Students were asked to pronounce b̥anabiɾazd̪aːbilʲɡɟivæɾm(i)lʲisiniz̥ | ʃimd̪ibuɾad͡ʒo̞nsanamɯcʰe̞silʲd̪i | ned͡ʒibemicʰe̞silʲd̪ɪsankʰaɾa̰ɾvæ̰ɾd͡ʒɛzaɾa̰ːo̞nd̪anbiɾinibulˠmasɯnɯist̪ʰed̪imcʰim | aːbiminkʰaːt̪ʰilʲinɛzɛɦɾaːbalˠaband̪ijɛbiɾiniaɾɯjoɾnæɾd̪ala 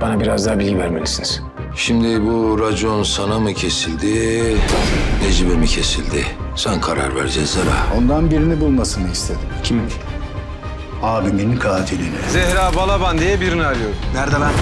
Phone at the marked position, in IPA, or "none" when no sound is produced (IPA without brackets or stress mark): e